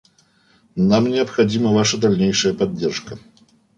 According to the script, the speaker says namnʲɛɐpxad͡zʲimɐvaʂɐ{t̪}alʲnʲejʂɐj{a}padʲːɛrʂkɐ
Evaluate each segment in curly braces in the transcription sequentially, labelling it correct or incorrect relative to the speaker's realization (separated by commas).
incorrect, incorrect